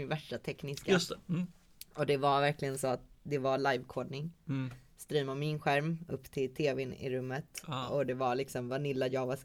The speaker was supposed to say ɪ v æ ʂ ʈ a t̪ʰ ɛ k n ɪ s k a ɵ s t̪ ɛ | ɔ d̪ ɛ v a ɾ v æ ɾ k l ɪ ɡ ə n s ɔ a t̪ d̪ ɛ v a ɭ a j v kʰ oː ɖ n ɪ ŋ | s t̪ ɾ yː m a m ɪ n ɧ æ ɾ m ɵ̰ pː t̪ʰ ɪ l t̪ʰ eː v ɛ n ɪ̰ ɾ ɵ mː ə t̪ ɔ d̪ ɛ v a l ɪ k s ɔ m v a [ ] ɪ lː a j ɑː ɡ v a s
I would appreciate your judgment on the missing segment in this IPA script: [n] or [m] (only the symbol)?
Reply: n